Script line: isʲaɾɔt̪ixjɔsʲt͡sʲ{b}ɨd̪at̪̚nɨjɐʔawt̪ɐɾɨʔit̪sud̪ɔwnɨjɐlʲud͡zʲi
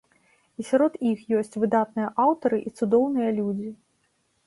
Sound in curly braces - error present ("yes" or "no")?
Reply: yes